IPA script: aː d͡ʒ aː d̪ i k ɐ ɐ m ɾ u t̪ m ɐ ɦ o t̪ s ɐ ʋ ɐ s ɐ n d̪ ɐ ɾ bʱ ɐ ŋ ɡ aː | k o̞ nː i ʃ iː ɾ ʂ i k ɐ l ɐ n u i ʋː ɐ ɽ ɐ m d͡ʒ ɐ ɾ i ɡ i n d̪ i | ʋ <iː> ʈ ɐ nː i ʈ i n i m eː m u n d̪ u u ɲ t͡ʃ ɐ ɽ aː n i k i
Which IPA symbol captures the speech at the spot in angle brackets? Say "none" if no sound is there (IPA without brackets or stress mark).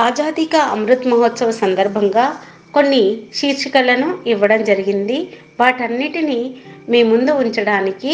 aː